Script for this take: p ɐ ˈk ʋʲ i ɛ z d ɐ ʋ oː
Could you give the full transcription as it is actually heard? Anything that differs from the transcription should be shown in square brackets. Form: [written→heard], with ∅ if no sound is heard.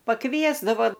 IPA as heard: p ɐ ˈk ʋʲ i ɛ z d ɐ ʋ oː